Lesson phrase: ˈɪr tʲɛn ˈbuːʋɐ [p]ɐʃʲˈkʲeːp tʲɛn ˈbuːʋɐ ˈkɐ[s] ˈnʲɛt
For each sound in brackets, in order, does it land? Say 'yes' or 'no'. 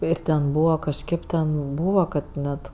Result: no, no

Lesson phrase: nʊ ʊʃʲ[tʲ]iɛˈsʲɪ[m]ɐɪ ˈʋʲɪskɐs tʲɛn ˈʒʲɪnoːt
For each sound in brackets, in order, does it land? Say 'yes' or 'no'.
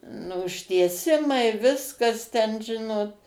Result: yes, yes

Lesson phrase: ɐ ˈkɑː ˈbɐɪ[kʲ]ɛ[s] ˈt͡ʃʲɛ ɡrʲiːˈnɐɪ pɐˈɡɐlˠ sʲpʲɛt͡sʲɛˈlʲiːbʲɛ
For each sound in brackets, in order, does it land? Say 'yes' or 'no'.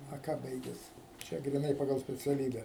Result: no, yes

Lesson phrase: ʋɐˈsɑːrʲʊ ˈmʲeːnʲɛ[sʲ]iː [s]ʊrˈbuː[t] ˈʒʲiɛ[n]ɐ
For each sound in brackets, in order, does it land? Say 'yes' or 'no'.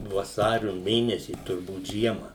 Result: yes, no, yes, no

